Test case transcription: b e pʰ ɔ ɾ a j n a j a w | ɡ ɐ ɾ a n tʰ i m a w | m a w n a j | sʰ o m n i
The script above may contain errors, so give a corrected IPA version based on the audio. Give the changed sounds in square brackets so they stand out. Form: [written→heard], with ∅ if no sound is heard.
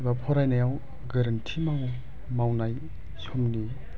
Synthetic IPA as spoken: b [e→a] pʰ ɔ ɾ a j n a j a w | ɡ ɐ ɾ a n tʰ i m a w | m a w n a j | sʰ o m n i